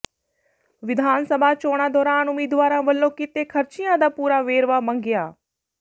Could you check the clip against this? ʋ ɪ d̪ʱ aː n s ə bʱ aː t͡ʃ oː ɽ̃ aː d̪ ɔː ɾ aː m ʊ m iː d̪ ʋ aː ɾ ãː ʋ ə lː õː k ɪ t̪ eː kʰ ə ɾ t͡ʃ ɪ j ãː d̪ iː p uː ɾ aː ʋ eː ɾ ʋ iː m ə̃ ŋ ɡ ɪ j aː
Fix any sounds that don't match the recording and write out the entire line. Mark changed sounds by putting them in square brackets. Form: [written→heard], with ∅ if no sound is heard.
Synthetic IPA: ʋ ɪ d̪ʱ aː n s ə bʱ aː t͡ʃ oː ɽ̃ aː d̪ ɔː ɾ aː [m→n] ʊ m iː d̪ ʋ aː ɾ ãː ʋ ə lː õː k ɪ t̪ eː kʰ ə ɾ t͡ʃ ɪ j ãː d̪ [iː→aː] p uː ɾ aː ʋ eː ɾ ʋ [iː→aː] m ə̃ ŋ ɡ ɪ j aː